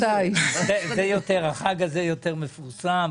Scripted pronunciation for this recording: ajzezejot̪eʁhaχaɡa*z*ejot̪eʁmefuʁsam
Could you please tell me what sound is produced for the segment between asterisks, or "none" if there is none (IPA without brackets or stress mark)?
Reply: z